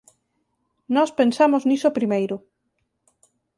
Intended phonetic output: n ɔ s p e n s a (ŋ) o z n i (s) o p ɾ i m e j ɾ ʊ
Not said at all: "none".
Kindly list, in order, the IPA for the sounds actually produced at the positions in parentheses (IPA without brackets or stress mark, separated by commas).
m, s